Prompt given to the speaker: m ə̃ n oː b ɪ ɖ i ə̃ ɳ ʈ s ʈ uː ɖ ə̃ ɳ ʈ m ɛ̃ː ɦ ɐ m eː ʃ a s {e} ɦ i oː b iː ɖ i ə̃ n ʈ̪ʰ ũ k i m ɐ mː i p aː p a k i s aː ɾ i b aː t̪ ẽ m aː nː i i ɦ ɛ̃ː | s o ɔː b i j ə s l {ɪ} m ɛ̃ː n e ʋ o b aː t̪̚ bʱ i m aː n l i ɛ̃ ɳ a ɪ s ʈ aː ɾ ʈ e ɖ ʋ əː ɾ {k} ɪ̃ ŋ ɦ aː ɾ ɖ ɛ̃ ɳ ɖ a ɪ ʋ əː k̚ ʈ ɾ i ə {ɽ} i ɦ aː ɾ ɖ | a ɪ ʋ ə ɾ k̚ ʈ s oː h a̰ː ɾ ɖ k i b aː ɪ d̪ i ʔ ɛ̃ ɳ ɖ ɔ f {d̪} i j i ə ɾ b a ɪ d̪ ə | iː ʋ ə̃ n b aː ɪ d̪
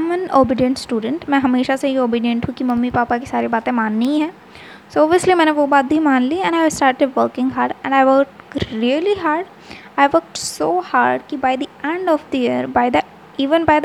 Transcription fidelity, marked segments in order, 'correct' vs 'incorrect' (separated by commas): correct, incorrect, correct, incorrect, correct